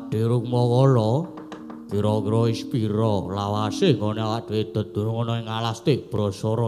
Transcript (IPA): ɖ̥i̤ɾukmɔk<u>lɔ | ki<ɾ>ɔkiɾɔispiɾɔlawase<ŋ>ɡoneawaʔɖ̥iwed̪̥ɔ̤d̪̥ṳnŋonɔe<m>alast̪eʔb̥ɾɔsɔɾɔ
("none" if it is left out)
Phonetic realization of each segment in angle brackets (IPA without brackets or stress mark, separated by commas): ɔ, ɾ, ŋ, ŋ